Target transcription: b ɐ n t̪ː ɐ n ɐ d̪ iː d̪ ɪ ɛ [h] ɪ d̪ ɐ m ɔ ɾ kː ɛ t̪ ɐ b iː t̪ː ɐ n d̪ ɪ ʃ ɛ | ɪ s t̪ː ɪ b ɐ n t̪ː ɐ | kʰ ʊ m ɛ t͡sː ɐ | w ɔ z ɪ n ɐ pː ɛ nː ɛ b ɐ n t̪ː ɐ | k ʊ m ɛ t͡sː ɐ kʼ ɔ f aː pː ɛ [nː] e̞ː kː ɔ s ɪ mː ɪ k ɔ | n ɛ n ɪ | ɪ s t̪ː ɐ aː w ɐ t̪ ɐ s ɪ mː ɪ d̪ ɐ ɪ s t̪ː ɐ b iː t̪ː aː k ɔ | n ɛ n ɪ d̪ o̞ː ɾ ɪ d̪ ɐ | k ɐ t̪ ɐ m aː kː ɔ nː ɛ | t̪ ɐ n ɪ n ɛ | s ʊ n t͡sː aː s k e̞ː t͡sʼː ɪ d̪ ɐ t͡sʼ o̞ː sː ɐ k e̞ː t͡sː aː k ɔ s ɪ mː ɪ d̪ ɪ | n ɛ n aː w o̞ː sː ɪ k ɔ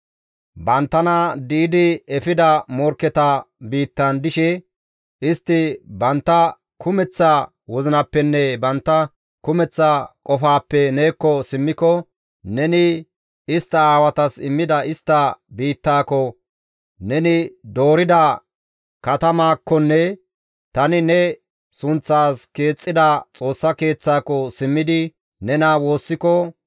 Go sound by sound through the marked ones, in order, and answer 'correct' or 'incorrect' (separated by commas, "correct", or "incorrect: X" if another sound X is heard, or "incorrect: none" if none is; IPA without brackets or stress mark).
incorrect: f, incorrect: n